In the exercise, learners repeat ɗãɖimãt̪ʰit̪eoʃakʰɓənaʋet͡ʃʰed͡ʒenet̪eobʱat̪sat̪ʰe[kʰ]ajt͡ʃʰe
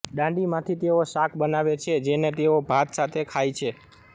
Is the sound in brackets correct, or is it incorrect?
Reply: correct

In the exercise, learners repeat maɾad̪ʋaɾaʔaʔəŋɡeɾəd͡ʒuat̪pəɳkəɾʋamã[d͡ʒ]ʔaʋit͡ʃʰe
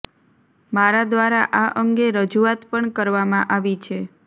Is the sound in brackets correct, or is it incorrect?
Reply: incorrect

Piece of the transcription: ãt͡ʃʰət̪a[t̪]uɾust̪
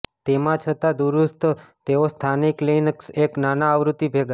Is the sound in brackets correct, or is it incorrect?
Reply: incorrect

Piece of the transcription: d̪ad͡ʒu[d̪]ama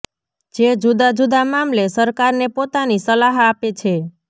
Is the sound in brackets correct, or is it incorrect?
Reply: correct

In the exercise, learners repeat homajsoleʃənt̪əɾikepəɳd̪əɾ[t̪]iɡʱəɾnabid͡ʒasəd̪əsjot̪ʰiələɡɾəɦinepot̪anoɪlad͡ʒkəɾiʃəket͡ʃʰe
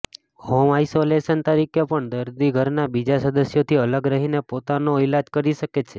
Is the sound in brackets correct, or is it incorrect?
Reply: incorrect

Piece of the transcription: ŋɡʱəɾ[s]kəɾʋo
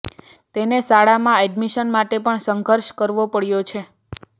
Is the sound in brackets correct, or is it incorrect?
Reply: incorrect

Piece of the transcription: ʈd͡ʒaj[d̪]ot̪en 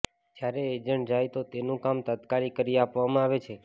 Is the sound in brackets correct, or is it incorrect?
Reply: incorrect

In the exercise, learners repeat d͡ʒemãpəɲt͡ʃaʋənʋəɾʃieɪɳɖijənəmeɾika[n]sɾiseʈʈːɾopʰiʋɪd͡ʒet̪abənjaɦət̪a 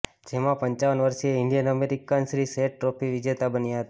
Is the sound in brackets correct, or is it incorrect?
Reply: correct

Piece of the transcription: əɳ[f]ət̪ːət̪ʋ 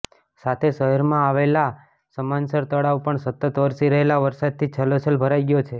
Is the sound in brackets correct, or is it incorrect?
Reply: incorrect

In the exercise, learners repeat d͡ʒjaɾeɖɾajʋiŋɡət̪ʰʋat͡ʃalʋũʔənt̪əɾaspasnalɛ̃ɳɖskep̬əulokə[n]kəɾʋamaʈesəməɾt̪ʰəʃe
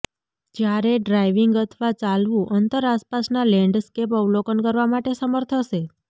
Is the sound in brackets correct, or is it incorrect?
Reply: correct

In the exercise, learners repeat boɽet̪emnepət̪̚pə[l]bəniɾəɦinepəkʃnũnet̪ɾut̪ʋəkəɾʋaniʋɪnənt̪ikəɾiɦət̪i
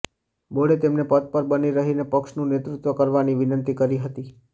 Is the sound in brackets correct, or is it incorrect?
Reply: incorrect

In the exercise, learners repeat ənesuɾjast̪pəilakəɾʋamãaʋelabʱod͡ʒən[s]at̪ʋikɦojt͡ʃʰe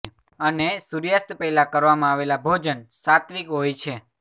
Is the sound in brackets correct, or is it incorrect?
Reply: correct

